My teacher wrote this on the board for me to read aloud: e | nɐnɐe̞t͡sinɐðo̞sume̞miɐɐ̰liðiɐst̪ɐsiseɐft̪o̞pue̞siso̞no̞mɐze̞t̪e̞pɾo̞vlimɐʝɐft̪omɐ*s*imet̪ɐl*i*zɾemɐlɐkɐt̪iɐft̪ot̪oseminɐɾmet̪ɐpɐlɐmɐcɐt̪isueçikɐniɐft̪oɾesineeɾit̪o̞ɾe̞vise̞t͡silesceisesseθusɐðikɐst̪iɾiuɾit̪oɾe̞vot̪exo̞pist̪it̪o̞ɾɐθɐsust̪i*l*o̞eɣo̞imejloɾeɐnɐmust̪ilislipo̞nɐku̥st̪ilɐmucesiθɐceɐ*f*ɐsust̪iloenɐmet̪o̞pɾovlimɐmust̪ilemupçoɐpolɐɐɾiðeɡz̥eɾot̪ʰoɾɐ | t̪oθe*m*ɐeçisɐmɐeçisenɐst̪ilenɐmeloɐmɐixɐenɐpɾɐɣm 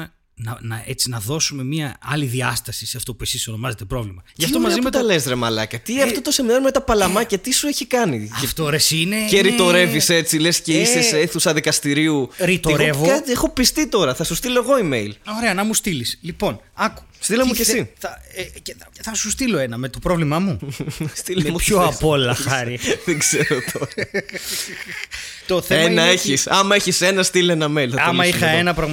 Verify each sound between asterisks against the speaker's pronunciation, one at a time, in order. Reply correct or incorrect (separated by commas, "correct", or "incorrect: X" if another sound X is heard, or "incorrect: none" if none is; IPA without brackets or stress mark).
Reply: incorrect: z, incorrect: e, correct, incorrect: θ, incorrect: n